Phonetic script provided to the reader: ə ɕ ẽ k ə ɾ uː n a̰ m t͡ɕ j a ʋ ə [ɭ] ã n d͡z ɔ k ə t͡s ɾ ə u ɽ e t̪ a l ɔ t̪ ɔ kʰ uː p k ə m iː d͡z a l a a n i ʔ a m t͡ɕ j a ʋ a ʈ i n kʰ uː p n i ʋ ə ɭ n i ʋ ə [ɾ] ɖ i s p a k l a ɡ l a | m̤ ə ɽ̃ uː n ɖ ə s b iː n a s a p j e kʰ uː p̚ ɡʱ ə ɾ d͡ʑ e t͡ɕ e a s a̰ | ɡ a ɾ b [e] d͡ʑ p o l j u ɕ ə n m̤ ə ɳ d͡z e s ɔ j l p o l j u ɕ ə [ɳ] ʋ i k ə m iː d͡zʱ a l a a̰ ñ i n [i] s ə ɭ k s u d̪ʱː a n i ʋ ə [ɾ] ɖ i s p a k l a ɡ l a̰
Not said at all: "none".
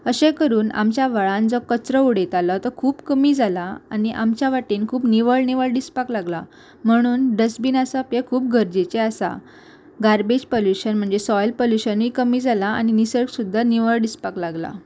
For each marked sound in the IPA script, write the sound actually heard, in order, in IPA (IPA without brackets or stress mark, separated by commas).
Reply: ɭ, ɭ, e, n, i, ɭ